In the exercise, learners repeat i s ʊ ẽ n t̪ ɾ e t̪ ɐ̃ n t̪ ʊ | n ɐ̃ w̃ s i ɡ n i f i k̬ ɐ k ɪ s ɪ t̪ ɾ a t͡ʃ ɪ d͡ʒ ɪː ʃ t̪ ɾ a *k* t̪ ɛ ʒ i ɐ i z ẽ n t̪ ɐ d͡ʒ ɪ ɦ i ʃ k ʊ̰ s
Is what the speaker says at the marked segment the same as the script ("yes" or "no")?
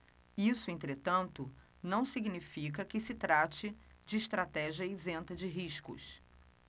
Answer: no